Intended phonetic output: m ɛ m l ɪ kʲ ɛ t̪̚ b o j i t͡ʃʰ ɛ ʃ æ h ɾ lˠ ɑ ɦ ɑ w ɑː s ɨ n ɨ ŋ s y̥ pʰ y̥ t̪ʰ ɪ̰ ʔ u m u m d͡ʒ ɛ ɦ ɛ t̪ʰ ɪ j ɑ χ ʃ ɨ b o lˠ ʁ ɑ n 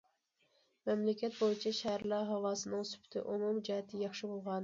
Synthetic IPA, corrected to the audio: m ɛ m l ɪ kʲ ɛ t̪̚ b o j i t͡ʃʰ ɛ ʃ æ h ɾ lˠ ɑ ɦ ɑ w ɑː s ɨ n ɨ ŋ s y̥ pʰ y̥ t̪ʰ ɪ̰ ʔ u m u m d͡ʒ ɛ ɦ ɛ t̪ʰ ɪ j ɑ χ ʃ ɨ b o lˠ ʁ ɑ n